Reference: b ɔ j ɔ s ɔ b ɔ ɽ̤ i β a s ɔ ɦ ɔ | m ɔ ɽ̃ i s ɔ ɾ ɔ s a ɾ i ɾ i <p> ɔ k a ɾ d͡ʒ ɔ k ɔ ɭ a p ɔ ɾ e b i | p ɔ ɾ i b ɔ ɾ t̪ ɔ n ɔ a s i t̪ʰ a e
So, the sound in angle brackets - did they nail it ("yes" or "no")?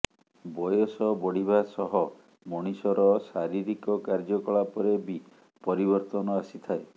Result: no